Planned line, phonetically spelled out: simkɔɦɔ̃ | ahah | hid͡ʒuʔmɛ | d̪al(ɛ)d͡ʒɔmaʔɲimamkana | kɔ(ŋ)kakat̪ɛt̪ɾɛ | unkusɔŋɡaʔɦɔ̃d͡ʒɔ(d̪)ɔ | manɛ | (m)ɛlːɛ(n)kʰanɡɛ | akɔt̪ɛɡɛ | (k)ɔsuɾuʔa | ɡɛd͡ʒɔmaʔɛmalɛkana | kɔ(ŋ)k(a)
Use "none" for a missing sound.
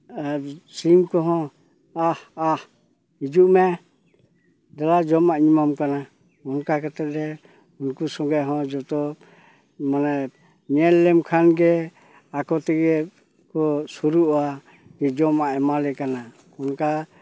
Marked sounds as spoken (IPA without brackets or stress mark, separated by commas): a, n, t̪, ɲ, m, k, n, a